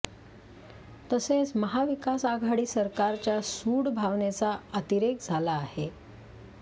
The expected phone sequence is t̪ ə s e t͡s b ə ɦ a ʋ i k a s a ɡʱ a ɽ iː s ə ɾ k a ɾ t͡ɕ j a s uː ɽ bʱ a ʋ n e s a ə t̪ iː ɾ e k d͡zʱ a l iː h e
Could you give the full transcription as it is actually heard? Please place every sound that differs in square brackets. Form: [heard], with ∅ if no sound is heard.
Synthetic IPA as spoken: t̪ ə s e t͡s [m] ə ɦ a ʋ i k a s a ɡʱ a ɽ iː s ə ɾ k a ɾ t͡ɕ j a s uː ɽ bʱ a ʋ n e [t͡s] a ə t̪ [i] ɾ e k d͡zʱ a l [aː] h e